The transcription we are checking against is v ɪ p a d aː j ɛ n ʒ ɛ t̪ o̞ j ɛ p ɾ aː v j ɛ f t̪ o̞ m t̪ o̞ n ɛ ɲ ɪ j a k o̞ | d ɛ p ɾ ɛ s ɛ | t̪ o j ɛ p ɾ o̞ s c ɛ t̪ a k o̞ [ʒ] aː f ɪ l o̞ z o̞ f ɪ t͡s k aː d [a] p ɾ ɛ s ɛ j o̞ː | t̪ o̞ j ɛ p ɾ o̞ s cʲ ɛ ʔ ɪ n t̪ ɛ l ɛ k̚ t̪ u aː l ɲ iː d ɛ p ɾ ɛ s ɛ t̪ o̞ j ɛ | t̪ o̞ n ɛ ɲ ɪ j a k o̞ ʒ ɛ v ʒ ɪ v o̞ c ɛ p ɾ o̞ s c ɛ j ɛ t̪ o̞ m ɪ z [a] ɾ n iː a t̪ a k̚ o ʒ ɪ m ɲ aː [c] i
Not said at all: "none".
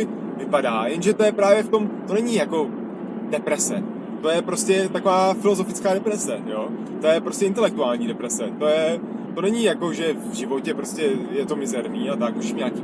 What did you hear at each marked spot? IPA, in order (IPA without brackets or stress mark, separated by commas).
v, ɛ, ɛ, k